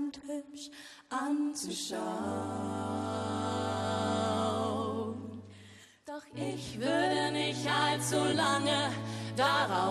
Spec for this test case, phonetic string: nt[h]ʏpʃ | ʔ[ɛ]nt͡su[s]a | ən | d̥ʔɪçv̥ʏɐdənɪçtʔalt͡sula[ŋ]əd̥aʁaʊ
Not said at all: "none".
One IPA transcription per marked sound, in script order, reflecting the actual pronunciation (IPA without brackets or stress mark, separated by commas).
h, a, ʃ, ŋ